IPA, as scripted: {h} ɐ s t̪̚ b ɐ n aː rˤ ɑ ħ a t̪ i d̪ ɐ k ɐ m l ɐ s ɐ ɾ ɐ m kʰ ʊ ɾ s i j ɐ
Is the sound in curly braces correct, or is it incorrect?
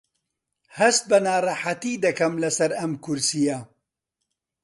correct